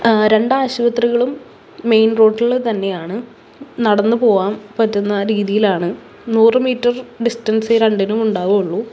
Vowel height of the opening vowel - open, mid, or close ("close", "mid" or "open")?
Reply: mid